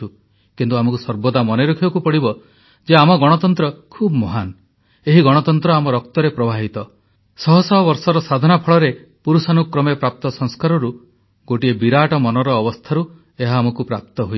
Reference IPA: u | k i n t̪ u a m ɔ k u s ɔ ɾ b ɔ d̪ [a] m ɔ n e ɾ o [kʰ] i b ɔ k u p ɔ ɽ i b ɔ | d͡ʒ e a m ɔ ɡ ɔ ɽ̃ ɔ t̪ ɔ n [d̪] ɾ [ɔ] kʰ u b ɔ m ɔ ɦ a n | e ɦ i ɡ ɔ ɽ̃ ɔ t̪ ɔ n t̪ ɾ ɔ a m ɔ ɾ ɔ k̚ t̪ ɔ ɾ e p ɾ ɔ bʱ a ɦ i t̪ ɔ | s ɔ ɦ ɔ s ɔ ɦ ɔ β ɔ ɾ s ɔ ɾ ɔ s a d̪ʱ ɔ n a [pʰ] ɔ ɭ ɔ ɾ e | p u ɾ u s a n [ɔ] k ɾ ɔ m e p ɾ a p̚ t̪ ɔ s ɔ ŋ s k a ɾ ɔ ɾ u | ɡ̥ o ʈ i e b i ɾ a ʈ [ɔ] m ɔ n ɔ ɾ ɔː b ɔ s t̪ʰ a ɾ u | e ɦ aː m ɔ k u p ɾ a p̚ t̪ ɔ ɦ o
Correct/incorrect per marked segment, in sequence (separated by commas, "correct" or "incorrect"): correct, correct, incorrect, correct, correct, incorrect, correct